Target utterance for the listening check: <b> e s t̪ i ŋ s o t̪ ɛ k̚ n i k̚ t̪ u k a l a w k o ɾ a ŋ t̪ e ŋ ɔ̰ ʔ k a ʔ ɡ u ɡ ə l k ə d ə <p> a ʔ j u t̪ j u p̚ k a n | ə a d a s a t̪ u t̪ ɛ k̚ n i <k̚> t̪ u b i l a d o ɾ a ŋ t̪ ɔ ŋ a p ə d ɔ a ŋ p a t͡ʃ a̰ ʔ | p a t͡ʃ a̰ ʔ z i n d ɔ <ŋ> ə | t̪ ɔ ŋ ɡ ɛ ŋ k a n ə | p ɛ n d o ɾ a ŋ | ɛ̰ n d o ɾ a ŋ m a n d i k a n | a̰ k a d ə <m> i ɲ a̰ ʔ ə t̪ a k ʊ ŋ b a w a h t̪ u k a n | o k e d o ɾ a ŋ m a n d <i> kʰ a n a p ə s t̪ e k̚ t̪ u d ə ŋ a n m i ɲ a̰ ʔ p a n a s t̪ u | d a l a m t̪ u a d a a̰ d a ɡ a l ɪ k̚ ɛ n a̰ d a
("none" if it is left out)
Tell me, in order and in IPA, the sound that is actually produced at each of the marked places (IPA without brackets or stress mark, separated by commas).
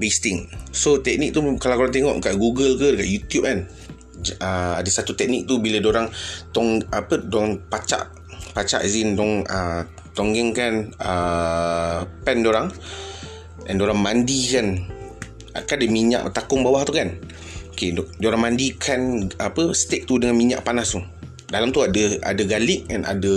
b, k, k̚, ŋ, m, i